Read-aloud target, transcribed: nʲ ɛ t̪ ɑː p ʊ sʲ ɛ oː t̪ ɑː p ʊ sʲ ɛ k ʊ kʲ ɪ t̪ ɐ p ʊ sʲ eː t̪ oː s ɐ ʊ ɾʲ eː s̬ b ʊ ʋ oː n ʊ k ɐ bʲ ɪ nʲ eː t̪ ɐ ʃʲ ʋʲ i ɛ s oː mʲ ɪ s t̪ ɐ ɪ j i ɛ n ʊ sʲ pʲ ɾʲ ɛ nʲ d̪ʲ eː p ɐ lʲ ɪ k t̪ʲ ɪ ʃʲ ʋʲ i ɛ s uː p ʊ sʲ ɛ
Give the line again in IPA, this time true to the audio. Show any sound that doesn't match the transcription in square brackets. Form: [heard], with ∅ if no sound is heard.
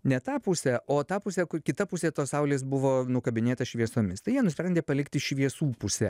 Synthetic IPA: nʲ ɛ t̪ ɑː p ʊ sʲ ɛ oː t̪ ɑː p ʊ sʲ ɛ k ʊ kʲ ɪ t̪ ɐ p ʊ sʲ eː t̪ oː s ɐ ʊ [lʲ] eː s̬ b ʊ ʋ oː n ʊ k ɐ bʲ ɪ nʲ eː t̪ ɐ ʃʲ ʋʲ i ɛ s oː mʲ ɪ s t̪ ɐ ɪ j i ɛ n ʊ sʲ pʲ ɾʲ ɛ nʲ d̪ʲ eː p ɐ lʲ ɪ k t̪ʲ ɪ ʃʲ ʋʲ i ɛ s uː p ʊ sʲ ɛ